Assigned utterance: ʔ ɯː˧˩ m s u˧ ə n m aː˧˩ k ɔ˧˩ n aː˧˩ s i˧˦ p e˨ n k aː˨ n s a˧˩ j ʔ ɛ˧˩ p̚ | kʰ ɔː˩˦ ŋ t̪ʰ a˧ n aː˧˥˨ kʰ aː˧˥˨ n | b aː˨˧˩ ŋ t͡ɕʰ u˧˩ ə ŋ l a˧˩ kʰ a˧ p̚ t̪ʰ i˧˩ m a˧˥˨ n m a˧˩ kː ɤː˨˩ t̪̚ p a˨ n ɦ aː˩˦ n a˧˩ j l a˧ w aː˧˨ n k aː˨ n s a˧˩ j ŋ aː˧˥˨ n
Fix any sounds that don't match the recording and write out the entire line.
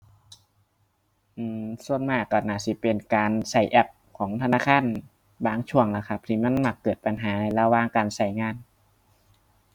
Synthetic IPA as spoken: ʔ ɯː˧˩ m s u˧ ə n m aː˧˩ k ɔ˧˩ n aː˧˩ s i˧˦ p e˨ n k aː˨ n s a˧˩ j ʔ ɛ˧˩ p̚ | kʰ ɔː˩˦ ŋ t̪ʰ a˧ n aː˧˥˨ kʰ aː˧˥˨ n | b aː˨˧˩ ŋ t͡ɕʰ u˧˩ ə ŋ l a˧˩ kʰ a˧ p̚ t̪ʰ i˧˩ m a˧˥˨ n m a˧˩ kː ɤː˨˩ t̪̚ p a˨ n ɦ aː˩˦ n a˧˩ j l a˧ w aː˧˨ ŋ k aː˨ n s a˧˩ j ŋ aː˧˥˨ n